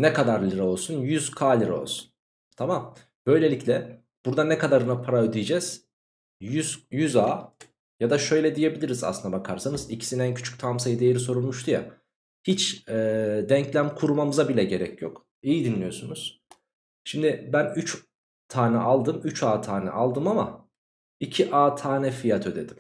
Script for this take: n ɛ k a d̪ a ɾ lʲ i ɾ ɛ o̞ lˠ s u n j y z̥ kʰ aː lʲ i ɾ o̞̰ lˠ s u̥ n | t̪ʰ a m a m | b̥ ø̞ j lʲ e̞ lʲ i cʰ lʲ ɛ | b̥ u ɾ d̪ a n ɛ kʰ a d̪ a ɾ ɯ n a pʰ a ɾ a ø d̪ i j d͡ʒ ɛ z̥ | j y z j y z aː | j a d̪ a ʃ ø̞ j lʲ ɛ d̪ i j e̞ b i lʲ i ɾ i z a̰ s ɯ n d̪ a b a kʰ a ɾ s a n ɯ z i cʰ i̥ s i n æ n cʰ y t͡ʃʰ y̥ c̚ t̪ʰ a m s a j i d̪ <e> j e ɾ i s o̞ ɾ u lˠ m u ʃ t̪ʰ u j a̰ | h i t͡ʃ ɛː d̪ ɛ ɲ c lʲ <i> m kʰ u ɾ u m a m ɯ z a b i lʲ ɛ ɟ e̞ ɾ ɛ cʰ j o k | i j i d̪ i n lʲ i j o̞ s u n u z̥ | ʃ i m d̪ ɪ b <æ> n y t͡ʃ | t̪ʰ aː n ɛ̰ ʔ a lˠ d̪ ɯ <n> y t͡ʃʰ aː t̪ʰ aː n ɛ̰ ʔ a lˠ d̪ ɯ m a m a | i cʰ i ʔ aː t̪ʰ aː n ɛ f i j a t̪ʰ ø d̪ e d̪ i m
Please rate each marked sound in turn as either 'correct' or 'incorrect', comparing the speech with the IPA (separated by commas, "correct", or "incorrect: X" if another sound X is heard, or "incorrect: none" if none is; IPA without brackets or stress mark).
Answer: correct, incorrect: æ, correct, incorrect: m